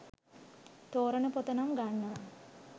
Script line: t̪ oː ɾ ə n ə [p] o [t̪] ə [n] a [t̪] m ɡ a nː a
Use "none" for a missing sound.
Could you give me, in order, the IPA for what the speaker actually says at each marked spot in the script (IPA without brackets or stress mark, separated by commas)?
p, t̪, n, none